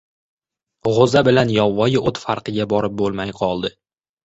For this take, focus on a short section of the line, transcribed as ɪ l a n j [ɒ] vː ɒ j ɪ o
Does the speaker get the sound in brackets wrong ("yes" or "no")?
no